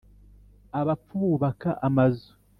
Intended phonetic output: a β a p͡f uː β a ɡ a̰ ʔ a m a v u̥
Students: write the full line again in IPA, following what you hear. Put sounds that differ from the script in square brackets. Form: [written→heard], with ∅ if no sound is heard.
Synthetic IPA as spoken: a β a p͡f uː β a [ɡ→k] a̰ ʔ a m a [v→z] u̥